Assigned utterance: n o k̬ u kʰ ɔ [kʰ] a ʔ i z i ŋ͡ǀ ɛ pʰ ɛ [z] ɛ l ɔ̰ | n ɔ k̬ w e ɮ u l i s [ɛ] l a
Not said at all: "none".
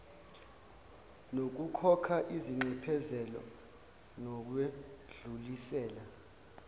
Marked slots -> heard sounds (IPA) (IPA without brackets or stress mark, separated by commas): kʰ, z, ɛː